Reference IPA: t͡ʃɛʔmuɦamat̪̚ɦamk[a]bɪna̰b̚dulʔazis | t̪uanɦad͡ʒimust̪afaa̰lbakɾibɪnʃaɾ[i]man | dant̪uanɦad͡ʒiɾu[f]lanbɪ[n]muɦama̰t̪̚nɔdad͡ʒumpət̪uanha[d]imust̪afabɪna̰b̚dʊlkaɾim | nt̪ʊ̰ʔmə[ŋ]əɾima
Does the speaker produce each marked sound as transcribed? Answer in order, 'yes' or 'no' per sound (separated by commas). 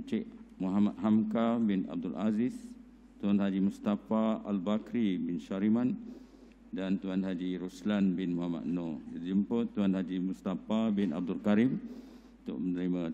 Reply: yes, yes, no, yes, no, no